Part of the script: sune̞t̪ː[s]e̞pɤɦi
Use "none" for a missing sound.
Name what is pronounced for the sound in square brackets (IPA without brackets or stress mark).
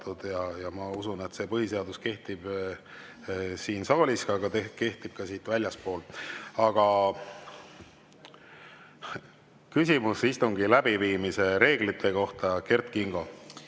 s